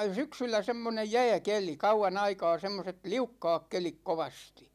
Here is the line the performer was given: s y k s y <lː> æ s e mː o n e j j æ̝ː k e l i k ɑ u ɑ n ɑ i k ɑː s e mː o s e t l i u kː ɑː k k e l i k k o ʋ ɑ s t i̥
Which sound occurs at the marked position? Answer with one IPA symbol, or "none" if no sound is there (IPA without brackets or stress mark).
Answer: lː